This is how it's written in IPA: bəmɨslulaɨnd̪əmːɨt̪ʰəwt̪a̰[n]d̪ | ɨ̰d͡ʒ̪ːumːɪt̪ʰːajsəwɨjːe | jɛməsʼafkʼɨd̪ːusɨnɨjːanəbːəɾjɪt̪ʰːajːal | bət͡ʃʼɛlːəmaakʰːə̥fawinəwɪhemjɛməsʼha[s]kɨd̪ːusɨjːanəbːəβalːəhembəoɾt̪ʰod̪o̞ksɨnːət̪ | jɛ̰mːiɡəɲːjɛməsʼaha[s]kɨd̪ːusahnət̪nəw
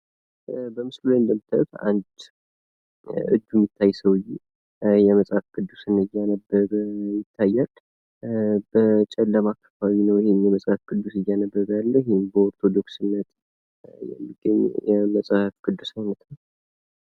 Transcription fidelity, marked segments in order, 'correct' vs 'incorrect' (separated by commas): correct, incorrect, incorrect